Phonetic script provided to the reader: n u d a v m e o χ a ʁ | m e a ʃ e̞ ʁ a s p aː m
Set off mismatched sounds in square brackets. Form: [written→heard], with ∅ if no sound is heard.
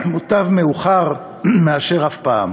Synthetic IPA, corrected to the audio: [n→m] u [d→t] a v m e [o→u] χ a ʁ | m e a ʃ e̞ ʁ a [s→f] p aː m